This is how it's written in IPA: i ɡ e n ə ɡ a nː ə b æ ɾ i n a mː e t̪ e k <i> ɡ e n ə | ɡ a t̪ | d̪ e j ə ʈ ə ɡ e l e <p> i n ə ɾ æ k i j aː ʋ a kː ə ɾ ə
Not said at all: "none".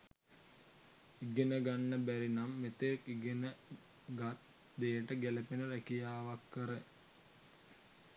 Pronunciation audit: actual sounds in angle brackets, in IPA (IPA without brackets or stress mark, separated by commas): i, p